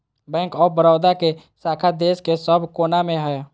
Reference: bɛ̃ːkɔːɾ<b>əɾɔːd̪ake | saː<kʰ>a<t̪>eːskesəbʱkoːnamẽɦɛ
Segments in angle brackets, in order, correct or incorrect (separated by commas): correct, correct, incorrect